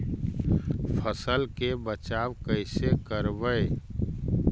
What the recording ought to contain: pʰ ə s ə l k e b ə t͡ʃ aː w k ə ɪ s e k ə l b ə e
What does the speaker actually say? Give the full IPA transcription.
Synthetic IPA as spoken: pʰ ə s ə l k e b ə t͡ʃ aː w k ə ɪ s e k ə ɾ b ə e